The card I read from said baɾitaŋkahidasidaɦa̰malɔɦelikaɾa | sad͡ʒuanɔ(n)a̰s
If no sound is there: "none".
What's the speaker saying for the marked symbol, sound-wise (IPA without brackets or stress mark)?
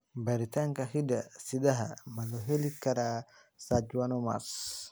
m